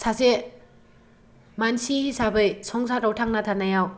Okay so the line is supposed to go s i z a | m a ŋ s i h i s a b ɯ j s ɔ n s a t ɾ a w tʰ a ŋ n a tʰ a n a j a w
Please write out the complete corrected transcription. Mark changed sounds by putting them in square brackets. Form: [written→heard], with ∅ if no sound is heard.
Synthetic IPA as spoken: s [i→a] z [a→e] | m a [ŋ→n] s i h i s a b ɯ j s ɔ [n→ŋ] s a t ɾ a w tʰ a ŋ n a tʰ a n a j a w